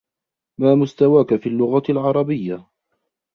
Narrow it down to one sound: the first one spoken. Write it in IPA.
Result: m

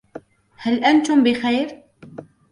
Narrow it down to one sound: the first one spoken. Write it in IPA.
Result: h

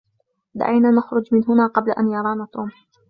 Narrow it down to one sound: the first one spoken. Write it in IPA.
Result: d̪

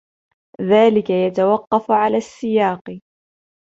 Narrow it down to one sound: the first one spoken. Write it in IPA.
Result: ð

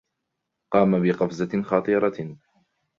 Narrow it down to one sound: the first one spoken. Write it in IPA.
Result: q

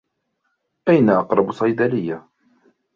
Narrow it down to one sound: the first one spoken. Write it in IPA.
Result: ʔ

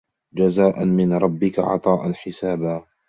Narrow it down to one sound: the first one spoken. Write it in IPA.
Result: d͡ʒ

